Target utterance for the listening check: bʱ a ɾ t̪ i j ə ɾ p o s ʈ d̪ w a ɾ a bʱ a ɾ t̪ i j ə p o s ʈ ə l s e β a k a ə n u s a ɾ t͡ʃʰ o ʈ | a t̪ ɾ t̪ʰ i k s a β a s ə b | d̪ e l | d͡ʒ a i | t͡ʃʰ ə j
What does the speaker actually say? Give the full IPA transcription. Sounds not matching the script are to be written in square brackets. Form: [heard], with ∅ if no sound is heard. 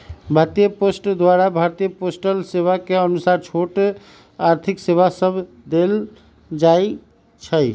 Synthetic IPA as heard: bʱ a ɾ t̪ i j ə [∅] p o s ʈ d̪ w a ɾ a bʱ a ɾ t̪ i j ə p o s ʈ ə l s e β a k [e] ə n u s a ɾ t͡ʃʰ o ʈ | a [∅] ɾ t̪ʰ i k s [e] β a s ə b | d̪ e l | d͡ʒ a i | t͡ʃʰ ə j